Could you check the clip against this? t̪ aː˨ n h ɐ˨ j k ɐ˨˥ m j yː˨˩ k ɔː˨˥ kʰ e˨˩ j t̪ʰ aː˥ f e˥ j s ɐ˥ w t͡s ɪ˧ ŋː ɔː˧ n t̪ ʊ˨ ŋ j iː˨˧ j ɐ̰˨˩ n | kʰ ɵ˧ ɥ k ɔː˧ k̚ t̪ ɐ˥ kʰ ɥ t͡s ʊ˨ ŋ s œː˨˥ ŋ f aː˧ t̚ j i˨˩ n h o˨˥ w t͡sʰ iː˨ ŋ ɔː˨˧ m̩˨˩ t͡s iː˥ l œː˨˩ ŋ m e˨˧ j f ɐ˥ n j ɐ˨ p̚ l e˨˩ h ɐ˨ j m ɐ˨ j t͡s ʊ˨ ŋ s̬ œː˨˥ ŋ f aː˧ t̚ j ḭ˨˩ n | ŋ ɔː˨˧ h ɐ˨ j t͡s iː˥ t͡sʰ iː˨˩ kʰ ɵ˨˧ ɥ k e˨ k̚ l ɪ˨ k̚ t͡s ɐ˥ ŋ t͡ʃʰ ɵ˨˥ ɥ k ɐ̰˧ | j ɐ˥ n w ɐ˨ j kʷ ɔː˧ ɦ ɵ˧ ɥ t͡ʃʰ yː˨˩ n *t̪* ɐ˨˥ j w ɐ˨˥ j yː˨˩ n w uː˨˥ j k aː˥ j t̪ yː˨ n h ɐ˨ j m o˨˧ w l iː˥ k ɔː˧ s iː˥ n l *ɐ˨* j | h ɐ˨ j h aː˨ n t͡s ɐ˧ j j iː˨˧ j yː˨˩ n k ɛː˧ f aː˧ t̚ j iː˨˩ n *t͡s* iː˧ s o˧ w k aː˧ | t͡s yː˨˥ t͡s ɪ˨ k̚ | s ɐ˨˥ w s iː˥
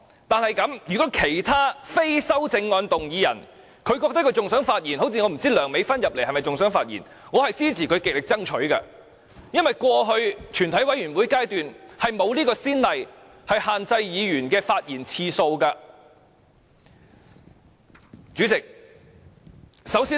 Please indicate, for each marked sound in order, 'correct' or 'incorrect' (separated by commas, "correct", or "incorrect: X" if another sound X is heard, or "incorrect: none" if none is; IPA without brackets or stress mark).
incorrect: t̪ʰ, correct, incorrect: t͡sʰ